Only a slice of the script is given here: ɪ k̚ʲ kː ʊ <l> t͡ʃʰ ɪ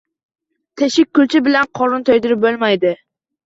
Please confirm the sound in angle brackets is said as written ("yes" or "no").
yes